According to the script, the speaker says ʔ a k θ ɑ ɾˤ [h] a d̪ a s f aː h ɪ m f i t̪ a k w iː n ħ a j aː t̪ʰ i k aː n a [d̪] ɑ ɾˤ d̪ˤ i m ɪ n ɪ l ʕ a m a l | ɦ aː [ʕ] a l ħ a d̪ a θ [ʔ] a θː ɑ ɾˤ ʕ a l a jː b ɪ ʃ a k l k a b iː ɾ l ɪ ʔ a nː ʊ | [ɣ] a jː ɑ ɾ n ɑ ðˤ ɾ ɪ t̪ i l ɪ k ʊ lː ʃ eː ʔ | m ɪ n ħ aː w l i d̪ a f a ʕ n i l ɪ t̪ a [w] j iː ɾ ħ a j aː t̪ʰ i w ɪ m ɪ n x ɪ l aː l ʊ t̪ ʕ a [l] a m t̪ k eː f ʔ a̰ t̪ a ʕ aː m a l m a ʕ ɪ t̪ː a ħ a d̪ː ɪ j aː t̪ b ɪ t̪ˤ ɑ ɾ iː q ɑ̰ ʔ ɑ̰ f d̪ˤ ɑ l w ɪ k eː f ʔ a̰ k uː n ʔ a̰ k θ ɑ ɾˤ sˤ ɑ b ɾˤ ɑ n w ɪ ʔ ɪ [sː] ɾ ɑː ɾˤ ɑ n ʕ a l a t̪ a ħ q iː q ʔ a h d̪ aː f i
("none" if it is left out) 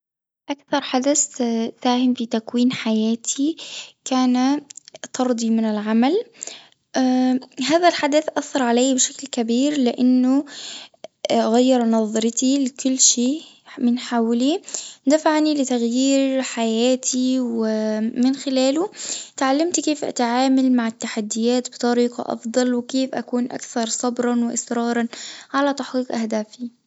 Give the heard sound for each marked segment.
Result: ħ, t̪, ð, ʔ, ɣ, ɣ, lː, s

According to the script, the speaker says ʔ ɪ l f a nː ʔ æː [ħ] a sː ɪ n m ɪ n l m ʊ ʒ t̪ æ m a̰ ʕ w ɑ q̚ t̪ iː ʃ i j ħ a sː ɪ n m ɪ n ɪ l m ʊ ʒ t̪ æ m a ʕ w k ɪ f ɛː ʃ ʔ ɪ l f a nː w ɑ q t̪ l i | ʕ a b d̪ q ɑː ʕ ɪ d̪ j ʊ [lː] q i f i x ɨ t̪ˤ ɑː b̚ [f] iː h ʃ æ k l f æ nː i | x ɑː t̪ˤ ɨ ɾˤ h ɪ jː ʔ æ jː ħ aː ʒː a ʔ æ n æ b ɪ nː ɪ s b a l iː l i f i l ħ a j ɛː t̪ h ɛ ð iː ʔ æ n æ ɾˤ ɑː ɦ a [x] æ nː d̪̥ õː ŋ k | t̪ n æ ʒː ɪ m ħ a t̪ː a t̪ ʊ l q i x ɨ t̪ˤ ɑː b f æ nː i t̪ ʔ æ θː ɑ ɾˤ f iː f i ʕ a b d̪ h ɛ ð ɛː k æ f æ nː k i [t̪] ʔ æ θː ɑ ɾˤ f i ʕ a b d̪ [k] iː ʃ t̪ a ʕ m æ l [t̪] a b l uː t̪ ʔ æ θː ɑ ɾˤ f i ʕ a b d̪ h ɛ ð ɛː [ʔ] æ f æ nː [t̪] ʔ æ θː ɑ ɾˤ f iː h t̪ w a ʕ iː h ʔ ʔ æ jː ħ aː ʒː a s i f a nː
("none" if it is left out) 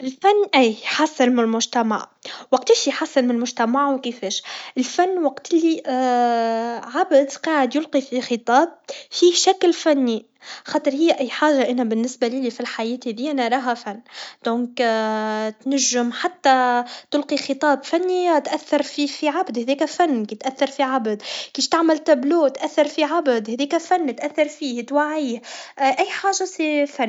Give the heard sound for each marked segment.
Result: ħ, l, f, f, t̪, k, t̪, k, t̪

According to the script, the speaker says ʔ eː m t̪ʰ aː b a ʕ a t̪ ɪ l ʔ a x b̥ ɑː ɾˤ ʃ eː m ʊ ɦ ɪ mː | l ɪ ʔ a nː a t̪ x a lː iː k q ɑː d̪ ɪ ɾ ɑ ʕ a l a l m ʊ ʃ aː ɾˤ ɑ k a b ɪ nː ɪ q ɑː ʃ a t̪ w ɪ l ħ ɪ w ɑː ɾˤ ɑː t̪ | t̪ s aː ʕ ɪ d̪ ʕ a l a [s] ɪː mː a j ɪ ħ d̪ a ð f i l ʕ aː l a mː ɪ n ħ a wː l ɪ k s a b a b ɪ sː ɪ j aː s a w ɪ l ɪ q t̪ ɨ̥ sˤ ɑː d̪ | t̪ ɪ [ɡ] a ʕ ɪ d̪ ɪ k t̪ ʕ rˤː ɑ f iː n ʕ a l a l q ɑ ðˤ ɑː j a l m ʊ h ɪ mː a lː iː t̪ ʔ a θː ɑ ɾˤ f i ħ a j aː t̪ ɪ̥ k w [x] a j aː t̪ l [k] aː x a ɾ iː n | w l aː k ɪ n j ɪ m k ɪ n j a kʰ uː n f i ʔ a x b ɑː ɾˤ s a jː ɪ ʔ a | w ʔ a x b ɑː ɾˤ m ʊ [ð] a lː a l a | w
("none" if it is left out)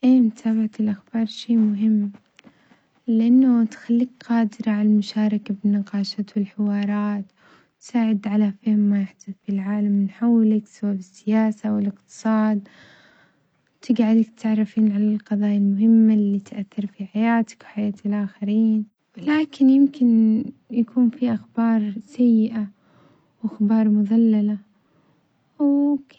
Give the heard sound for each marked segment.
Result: f, ɡ, ħ, ʔ, ð

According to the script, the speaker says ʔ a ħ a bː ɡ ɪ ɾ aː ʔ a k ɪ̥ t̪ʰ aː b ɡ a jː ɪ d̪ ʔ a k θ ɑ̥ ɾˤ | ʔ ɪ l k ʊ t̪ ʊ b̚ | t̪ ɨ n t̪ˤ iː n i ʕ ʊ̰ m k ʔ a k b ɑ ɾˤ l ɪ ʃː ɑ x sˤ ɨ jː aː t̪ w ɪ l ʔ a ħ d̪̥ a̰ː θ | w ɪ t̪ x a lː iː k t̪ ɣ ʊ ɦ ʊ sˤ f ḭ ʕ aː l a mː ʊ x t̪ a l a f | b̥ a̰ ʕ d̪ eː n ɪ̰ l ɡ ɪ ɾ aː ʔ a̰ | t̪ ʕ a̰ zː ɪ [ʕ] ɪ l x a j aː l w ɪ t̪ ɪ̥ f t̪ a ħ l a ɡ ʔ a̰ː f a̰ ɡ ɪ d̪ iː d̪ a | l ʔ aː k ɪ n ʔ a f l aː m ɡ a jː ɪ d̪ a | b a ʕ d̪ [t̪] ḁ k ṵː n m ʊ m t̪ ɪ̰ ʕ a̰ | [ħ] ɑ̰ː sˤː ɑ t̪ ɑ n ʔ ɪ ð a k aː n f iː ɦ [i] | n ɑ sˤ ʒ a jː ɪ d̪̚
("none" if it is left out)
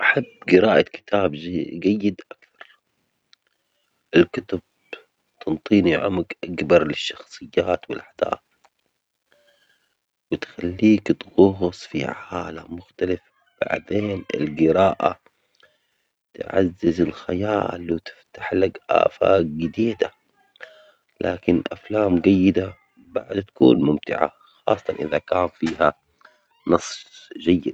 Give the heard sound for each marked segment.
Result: z, t̪, x, a

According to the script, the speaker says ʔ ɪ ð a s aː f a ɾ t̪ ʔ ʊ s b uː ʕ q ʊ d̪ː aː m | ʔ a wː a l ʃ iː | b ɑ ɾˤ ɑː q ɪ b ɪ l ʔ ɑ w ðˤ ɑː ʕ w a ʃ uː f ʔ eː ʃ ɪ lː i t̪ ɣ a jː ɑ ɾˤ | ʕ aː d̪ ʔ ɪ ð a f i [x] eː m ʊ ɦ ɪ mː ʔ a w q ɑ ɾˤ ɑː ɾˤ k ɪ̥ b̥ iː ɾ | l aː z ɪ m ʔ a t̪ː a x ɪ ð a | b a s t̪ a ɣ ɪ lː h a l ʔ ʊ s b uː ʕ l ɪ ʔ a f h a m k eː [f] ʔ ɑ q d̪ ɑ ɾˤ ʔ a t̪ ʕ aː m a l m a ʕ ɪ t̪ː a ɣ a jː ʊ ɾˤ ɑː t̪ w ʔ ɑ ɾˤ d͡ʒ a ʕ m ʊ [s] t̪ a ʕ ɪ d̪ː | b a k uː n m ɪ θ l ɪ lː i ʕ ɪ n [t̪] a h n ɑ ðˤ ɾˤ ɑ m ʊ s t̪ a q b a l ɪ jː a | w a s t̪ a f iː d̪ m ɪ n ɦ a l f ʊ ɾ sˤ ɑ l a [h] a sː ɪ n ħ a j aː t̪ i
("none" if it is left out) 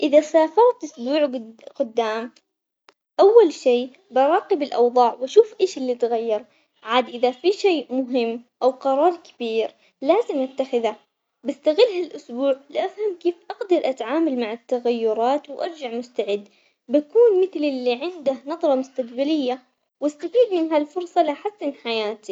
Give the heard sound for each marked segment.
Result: ʃ, f, s, d̪, ħ

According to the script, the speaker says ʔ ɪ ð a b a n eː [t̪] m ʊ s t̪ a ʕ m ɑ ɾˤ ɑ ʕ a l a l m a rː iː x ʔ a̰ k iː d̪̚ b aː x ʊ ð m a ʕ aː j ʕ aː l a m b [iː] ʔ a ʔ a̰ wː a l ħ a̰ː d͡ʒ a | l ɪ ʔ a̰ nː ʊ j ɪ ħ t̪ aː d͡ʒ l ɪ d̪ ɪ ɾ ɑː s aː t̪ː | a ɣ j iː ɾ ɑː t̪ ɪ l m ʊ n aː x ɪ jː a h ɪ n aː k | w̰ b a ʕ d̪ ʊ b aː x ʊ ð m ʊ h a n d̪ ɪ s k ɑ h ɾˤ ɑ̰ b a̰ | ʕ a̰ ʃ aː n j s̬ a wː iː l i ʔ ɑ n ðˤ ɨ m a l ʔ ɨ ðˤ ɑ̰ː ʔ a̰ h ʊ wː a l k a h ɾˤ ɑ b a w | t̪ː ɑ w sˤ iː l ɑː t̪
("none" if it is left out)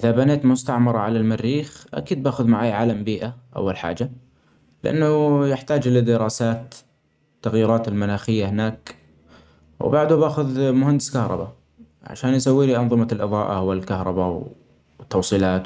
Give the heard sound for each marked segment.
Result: t̪, iː

